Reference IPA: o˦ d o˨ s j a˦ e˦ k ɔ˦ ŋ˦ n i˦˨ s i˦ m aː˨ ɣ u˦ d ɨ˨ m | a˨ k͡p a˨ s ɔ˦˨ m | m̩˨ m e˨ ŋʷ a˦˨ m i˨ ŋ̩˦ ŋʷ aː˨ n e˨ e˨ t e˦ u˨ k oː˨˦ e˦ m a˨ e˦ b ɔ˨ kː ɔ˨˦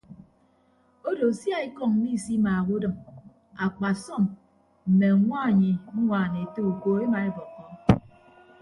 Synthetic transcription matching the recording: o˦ d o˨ s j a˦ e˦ k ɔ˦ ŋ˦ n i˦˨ s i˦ m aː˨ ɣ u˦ d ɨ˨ m | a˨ k͡p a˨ s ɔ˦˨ m | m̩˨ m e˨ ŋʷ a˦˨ ɲ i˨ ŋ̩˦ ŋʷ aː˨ n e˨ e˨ t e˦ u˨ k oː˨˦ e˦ m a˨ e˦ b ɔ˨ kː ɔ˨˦

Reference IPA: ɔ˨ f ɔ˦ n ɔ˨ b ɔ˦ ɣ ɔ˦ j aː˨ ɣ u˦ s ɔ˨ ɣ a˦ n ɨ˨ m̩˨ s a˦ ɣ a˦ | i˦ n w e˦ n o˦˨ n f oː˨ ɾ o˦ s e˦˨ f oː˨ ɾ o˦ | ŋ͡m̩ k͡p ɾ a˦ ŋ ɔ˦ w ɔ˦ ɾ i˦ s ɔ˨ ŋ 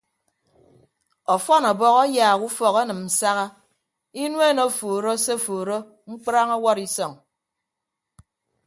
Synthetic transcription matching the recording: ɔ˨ f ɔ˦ n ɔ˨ b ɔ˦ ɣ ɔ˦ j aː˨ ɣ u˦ f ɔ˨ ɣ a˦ n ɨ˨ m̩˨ s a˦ ɣ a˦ | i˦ n w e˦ n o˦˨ f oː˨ ɾ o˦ s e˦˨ f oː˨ ɾ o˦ | ŋ͡m̩ k͡p ɾ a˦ ŋ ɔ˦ w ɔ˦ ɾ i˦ s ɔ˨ ŋ

